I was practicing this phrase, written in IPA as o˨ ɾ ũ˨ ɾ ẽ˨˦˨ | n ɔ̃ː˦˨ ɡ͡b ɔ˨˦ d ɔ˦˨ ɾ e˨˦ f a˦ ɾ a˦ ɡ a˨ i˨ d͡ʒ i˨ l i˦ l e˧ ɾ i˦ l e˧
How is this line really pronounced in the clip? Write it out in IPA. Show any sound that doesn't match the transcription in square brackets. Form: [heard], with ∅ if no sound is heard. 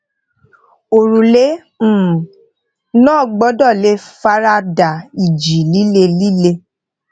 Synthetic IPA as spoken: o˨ ɾ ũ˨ [l] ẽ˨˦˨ | n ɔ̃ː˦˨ ɡ͡b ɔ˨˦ d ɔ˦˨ [l] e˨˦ f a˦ ɾ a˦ [d] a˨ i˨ d͡ʒ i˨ l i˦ l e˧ [l] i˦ l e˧

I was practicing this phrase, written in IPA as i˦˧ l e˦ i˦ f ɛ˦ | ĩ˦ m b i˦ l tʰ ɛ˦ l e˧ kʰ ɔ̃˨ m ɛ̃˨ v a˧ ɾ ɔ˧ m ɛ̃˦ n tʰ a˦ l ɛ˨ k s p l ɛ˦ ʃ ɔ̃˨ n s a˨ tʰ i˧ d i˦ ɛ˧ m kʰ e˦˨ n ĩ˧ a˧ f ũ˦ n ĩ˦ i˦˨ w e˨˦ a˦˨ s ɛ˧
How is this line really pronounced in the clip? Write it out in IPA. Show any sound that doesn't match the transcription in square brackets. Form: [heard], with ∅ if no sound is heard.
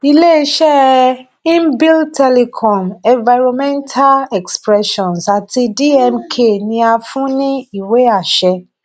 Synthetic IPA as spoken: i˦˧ l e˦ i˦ [ʃ] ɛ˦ | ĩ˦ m b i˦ l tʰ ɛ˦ l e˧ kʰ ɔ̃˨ m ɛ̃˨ v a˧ ɾ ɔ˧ m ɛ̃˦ n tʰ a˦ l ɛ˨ k s p [ɾ] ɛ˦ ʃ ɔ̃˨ n s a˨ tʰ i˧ d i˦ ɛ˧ m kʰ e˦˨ n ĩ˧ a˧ f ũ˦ n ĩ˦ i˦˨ w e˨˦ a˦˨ [ʃ] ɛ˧

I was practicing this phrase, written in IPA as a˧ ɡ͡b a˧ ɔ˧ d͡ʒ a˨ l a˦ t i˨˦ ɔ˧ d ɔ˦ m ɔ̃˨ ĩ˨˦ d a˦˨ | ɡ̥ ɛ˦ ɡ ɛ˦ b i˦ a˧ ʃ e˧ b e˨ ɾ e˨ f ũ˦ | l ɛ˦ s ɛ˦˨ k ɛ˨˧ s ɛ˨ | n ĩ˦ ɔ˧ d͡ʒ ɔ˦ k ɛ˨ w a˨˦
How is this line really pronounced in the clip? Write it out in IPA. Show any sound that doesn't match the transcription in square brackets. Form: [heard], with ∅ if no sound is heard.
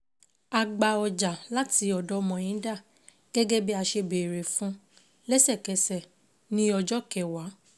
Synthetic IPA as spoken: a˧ ɡ͡b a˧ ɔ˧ d͡ʒ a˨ l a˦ t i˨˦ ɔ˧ d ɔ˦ m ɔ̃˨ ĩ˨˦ d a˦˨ | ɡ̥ ɛ˦ ɡ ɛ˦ b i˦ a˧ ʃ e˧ b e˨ ɾ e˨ f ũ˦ | l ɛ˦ s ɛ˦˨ k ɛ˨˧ s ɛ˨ | n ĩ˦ ɔ˧ d͡ʒ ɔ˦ k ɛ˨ w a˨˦

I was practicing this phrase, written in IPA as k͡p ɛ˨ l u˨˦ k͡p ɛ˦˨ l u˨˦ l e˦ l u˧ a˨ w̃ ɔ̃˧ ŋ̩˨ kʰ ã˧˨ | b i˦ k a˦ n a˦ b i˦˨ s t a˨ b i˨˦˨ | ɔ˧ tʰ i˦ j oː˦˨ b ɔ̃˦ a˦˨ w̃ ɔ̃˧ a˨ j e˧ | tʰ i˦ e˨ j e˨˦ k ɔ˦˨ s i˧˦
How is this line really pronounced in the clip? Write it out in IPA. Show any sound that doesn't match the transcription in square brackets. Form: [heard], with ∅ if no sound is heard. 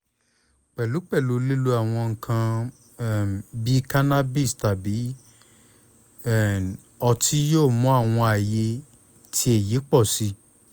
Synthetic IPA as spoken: k͡p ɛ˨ l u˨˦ k͡p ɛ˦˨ l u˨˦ l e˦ l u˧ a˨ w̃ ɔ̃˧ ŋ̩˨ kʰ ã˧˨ | b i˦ k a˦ n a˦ b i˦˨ s t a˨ b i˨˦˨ | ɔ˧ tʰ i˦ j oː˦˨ [m] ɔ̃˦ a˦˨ w̃ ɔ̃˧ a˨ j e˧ | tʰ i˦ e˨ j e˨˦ [k͡p] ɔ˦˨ s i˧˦

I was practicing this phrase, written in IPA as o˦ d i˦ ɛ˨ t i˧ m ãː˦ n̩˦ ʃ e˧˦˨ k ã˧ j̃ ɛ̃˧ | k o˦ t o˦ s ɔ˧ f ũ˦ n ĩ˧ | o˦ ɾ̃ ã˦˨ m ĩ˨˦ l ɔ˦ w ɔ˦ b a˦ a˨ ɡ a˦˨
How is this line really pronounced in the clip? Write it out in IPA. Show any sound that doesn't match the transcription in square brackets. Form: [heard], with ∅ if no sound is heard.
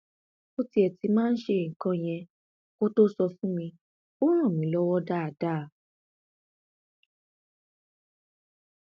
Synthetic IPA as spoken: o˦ [t] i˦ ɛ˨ t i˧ m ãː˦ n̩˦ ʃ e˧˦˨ k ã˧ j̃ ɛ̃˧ | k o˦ t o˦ s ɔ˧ f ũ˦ [m] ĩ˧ | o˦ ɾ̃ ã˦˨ m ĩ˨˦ l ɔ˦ w ɔ˦ [d] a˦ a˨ [d] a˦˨

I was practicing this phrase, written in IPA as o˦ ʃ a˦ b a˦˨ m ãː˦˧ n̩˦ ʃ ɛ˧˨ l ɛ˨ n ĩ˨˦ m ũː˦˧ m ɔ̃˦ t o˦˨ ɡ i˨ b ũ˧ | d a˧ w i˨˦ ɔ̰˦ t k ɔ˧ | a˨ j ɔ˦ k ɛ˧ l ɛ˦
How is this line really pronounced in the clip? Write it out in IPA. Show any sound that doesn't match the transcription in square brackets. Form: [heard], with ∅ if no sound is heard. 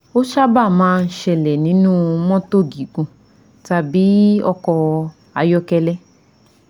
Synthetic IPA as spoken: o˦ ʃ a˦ b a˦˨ m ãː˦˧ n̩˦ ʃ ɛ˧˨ l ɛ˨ n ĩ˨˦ [n] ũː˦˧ m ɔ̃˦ t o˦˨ ɡ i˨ [ɡ] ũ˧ | [t] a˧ [b] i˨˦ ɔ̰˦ [∅] k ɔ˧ | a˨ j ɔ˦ k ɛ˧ l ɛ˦

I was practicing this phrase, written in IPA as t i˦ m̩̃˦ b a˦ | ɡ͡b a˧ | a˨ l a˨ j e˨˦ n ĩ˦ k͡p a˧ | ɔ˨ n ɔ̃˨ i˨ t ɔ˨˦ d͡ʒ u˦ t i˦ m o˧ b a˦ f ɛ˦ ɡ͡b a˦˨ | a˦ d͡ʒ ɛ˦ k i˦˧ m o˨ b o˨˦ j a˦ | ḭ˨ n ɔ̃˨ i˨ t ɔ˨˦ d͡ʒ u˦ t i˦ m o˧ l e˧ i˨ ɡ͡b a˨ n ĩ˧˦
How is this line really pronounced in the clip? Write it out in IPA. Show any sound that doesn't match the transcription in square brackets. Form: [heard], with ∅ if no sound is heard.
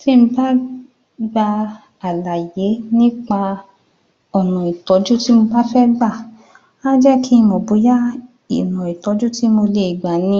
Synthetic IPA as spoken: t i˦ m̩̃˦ b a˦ | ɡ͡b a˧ | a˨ l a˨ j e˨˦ n ĩ˦ k͡p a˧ | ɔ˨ n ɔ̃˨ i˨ t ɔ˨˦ d͡ʒ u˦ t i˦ m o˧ b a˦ f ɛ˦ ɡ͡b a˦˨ | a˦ d͡ʒ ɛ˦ k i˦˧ m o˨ b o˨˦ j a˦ | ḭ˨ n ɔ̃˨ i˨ t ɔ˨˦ d͡ʒ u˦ t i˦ m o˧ l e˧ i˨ ɡ͡b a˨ n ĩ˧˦

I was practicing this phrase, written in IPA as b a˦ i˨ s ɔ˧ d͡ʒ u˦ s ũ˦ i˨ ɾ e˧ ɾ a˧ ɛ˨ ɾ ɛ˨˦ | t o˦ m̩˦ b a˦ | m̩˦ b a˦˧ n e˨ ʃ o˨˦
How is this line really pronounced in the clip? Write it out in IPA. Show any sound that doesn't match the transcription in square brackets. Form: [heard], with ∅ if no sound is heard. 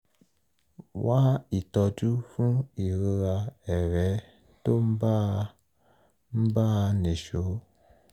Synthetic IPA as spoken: [w] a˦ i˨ [t] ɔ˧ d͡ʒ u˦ [f] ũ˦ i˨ ɾ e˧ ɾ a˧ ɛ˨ ɾ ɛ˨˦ | t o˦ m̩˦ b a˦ | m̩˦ b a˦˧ n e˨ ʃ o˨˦

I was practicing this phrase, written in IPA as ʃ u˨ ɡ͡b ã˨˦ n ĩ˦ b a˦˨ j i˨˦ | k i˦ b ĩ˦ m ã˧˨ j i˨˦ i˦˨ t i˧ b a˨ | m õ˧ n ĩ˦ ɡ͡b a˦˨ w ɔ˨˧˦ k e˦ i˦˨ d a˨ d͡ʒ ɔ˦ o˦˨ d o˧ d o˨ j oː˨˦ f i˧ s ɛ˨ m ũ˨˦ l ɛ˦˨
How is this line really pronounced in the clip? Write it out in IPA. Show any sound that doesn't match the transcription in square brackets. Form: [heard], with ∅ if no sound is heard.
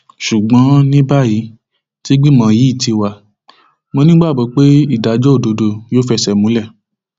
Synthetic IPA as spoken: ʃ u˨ ɡ͡b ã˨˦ n ĩ˦ b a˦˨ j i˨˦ | [t] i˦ [ɡ͡b] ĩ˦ m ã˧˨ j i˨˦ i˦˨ t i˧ [w] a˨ | m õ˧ n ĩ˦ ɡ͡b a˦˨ [b] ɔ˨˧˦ [k͡p] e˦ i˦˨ d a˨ d͡ʒ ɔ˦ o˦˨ d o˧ d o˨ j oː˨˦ f [ɛ˧] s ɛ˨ m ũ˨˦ l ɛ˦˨

